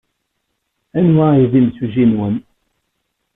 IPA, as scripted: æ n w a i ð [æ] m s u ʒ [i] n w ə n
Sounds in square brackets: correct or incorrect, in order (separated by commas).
incorrect, correct